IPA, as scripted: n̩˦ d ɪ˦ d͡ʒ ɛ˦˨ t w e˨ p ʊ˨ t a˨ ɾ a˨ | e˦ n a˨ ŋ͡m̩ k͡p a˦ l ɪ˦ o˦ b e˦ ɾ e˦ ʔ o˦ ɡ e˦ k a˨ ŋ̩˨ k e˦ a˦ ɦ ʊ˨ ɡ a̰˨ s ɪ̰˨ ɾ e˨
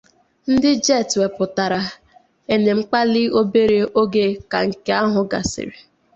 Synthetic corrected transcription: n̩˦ d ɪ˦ d͡ʒ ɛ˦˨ t w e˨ p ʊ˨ t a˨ ɾ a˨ | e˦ n e˨ ŋ͡m̩ k͡p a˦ l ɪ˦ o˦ b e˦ ɾ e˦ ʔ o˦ ɡ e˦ k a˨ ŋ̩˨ k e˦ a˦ ɦ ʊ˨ ɡ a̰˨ s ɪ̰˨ ɾ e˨